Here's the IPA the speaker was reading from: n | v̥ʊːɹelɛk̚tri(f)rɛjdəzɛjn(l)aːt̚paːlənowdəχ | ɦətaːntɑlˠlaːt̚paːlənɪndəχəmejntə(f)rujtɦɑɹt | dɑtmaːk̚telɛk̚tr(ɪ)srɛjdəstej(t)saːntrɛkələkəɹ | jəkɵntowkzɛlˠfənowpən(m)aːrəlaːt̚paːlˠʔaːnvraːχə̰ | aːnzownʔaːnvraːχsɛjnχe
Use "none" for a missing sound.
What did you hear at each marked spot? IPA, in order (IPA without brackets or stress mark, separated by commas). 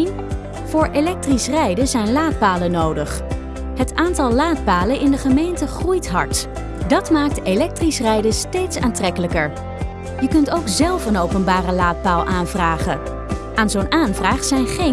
s, l, χ, i, t, b